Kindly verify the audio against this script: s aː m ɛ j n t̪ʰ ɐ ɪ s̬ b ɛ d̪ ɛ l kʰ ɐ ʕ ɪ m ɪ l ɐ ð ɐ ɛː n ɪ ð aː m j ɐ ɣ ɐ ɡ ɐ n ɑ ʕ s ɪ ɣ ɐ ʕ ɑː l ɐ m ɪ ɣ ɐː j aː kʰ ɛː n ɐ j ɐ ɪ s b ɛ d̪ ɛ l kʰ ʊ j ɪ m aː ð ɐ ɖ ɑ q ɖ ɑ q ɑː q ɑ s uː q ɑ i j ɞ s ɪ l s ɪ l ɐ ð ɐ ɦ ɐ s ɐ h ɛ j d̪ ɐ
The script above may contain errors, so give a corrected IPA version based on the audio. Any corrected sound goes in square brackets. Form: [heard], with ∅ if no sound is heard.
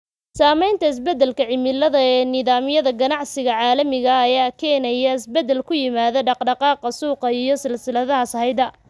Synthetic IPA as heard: s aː m ɛ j n t̪ʰ ɐ ɪ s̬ b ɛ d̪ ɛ l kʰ ɐ ʕ ɪ m ɪ l ɐ ð ɐ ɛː n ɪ ð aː m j ɐ [ð] ɐ ɡ ɐ n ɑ ʕ s ɪ ɣ ɐ ʕ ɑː l ɐ m ɪ ɣ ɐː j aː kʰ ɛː n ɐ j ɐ ɪ s b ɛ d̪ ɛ l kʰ ʊ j ɪ m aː ð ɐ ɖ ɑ q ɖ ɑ q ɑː q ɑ s uː q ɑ i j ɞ s ɪ l s ɪ l ɐ ð ɐ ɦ ɐ s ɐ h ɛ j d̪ ɐ